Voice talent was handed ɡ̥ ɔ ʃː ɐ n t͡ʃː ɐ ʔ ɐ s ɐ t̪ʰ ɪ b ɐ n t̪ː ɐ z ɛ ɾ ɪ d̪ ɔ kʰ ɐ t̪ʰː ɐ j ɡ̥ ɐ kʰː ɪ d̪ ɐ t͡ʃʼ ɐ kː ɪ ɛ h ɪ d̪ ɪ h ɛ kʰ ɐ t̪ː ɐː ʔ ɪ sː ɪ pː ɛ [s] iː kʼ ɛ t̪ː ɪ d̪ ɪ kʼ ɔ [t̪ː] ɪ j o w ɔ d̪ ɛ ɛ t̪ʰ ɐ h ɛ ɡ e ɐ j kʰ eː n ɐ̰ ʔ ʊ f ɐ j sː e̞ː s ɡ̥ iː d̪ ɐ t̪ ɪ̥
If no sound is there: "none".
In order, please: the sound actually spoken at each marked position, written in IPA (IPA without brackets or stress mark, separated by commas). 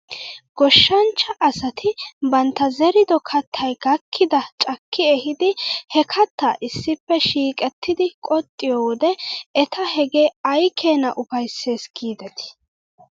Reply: ʃ, t̪ʼː